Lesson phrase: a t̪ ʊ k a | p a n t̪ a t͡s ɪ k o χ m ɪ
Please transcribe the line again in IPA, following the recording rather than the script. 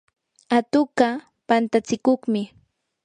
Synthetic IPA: a t̪ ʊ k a | p a n t̪ a t͡s ɪ k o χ m ɪ